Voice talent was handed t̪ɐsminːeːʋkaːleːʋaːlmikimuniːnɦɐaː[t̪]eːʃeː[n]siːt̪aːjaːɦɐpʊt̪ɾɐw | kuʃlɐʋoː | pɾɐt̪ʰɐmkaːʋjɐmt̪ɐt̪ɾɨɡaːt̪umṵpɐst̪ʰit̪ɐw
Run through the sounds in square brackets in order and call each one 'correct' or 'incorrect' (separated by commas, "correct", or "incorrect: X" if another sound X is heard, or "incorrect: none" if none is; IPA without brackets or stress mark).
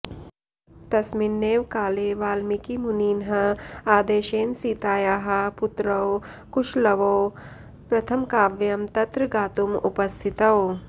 incorrect: d̪, correct